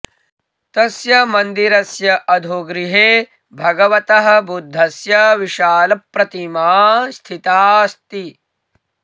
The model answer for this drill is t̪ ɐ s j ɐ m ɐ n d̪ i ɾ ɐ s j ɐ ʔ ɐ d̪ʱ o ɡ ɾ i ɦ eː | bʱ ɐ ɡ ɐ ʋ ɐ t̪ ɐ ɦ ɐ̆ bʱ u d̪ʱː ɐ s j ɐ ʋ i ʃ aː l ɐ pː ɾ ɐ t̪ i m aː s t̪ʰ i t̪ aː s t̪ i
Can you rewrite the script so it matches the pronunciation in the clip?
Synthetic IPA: t̪ ɐ s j ɐ m ɐ n d̪ i ɾ ɐ s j ɐ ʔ ɐ d̪ʱ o ɡ ɾ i ɦ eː | bʱ ɐ ɡ ɐ ʋ ɐ t̪ ɐ ɦ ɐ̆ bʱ u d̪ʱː ɐ s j ɐ ʋ i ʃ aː l ɐ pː ɾ ɐ t̪ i m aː s t̪ʰ i t̪ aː s t̪ i